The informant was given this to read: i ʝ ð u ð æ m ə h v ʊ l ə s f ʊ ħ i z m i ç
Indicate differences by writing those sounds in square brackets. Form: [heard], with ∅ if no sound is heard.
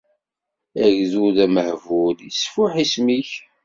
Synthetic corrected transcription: [æ] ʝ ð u ð æ m ə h v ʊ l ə s f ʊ ħ i [s] m i ç